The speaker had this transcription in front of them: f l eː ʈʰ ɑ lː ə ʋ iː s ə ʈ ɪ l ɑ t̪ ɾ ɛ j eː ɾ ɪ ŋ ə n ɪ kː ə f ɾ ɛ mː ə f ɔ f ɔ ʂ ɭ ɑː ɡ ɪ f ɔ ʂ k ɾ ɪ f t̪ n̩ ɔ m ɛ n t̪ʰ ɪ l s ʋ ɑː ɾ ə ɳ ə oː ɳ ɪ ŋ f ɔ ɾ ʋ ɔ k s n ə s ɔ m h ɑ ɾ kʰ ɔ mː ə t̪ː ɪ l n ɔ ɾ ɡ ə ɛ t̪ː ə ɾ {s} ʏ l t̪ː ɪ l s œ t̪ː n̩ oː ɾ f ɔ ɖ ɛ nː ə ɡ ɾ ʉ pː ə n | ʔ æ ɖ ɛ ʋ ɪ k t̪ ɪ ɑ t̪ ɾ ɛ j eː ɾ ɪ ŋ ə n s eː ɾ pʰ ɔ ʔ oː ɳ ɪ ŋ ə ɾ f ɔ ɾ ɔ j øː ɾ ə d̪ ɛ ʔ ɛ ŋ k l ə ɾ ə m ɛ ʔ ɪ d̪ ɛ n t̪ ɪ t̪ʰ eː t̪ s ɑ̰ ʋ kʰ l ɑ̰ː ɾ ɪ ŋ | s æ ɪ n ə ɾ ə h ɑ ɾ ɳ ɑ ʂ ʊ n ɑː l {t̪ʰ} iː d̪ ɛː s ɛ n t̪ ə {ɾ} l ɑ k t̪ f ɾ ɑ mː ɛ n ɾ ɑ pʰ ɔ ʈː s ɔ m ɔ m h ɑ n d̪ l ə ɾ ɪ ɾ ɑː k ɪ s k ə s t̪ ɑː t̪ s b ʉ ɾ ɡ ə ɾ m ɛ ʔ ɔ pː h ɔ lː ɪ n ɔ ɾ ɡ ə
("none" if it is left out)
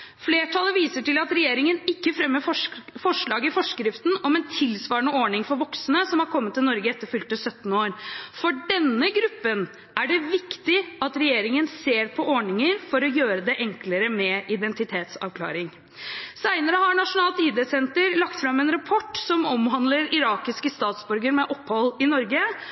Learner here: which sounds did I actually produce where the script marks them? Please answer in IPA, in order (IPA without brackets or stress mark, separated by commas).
f, t̪, ɾ